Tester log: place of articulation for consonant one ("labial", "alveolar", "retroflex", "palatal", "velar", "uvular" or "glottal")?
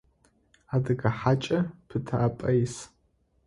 alveolar